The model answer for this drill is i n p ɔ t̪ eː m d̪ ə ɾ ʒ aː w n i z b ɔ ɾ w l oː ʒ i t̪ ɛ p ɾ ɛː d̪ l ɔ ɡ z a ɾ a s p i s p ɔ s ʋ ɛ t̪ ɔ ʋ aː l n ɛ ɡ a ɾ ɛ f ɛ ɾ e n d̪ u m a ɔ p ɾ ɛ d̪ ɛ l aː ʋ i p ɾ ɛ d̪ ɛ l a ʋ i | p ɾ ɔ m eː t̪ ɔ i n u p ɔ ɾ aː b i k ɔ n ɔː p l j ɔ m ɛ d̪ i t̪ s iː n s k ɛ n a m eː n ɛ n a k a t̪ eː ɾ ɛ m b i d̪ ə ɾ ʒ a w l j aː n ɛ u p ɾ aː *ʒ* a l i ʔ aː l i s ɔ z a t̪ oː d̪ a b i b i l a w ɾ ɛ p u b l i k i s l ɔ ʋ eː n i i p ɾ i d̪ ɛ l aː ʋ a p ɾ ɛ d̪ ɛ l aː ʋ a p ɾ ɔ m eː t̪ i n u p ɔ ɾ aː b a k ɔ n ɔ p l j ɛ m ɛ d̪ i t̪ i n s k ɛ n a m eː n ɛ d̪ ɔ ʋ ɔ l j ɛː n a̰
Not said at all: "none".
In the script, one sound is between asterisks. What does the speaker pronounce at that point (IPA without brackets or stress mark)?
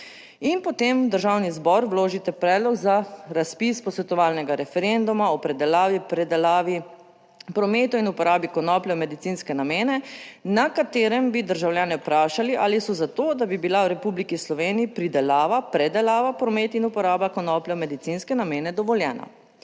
ʃ